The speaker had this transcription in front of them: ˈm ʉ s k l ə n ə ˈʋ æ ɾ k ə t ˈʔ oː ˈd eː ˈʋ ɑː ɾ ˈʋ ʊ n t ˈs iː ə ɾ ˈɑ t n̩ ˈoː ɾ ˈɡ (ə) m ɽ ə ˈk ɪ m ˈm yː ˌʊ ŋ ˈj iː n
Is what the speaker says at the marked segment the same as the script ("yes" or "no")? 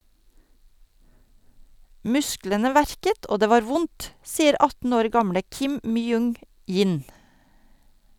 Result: no